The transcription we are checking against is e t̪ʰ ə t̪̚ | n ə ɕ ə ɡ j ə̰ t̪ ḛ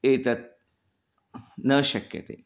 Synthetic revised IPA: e t̪ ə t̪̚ | n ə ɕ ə k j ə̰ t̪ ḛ